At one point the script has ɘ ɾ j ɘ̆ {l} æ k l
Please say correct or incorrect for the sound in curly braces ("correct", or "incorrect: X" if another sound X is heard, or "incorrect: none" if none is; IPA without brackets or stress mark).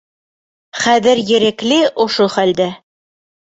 incorrect: ɾ